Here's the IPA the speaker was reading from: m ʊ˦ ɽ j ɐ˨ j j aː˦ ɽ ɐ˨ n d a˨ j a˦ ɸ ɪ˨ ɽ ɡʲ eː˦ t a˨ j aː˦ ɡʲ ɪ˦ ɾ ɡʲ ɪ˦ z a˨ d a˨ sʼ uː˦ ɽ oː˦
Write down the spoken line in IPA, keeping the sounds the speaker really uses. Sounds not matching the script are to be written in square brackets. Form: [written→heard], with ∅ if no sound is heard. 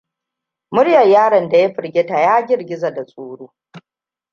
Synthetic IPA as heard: m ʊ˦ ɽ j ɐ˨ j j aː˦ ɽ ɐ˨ n d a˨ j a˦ ɸ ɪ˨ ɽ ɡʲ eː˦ t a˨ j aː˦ ɡʲ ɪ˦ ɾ ɡʲ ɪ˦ z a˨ d a˨ sʼ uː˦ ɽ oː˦